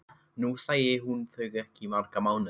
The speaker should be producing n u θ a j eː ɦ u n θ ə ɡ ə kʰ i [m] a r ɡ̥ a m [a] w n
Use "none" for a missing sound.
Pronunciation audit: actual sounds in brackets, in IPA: m, a

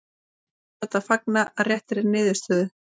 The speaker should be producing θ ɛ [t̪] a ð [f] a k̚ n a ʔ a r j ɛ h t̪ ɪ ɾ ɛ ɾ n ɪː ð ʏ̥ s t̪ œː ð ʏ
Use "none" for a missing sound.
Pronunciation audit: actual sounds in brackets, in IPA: t̪, f

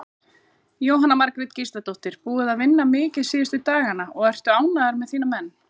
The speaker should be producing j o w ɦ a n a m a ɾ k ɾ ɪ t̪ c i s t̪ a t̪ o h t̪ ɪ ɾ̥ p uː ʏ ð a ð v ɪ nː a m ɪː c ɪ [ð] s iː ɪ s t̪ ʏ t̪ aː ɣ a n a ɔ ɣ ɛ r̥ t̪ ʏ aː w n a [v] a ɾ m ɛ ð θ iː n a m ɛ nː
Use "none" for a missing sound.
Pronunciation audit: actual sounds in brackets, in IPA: ð, ð

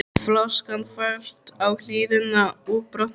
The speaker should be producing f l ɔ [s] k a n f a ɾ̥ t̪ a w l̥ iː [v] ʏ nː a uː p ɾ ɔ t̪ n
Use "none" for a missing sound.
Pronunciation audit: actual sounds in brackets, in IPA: s, ð

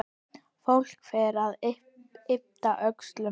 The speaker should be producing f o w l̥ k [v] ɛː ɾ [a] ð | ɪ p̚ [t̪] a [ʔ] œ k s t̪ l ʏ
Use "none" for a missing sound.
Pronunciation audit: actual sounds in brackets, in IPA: f, a, t̪, ʔ

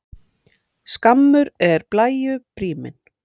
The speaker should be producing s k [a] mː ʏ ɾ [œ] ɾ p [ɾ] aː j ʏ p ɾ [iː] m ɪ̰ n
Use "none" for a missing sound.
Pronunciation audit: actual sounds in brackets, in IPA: a, ɛ, l, iː

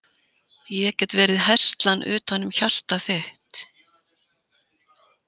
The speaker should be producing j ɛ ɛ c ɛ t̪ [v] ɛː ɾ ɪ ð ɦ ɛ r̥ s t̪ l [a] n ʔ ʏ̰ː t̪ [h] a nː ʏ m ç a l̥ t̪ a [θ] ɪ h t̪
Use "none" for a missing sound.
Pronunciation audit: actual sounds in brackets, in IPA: v, a, h, θ

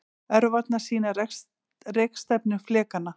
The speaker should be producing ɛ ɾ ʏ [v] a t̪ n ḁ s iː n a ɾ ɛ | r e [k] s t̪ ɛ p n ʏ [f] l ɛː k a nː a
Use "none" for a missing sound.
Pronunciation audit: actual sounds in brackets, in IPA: v, k, f

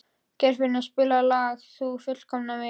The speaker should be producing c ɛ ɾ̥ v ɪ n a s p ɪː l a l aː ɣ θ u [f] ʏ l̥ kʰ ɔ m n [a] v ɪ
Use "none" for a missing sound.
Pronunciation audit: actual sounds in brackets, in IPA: f, a

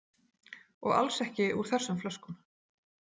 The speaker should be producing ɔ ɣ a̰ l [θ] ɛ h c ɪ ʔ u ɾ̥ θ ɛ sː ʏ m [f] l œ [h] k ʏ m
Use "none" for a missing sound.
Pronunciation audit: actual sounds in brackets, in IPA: s, f, s

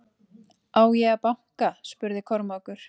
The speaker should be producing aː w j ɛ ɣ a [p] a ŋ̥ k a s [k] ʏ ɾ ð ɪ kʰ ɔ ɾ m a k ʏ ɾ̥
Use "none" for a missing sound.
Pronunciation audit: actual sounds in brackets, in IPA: p, p

